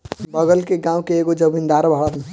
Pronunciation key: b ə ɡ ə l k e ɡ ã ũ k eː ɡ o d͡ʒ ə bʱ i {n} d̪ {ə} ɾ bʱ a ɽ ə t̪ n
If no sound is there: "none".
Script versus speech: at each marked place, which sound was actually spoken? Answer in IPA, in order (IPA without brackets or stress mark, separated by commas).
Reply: n, a